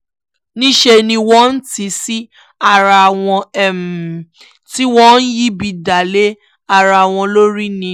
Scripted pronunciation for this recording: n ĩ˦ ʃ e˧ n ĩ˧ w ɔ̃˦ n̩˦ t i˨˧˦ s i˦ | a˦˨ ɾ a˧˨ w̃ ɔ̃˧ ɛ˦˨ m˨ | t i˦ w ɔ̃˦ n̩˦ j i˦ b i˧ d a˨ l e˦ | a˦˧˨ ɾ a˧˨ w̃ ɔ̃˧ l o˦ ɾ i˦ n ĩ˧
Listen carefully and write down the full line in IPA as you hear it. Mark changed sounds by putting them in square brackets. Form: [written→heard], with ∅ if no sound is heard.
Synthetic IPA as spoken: n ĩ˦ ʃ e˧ n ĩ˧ w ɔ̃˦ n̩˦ t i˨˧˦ s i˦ | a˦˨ ɾ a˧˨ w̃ ɔ̃˧ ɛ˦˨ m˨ | t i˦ w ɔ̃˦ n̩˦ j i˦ b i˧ d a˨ l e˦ | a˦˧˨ ɾ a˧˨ w̃ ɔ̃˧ l o˦ ɾ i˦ n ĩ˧